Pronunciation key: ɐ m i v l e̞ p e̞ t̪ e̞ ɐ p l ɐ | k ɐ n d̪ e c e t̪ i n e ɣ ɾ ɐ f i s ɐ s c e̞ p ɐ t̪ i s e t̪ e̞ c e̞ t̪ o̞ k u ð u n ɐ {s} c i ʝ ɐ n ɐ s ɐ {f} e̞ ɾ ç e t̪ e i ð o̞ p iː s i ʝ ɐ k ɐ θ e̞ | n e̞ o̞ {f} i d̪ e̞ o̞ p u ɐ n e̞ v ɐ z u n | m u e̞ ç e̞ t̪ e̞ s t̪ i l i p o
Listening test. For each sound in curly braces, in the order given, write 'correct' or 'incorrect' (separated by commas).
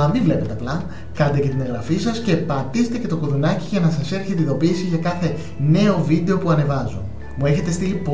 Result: incorrect, incorrect, incorrect